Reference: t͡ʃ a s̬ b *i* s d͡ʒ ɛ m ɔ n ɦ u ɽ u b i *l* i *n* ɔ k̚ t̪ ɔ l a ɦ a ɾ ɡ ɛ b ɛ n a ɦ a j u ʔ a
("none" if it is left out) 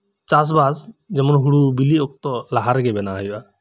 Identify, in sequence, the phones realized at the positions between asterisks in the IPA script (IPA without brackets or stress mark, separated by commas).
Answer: a, l, none